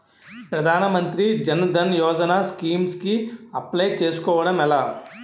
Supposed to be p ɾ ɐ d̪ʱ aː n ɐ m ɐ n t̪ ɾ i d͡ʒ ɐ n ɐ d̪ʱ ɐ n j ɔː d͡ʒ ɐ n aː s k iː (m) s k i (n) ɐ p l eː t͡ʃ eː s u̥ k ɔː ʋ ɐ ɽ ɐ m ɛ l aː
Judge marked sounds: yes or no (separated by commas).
yes, no